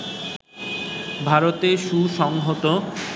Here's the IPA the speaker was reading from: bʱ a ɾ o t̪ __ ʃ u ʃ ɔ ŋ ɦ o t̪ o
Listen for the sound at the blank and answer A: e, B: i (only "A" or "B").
A